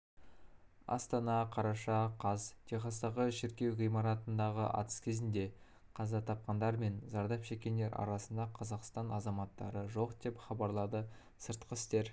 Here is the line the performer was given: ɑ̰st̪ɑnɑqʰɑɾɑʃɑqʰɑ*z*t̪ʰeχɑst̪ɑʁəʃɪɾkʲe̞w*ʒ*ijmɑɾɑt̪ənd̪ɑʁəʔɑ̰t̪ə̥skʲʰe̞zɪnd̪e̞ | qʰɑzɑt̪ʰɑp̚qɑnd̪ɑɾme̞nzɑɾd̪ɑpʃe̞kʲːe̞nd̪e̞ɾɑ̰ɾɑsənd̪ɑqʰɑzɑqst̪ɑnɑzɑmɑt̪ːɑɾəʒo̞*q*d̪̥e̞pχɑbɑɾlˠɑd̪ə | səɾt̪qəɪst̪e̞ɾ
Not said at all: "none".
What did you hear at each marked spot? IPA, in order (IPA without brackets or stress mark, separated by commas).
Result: z, ʁ, q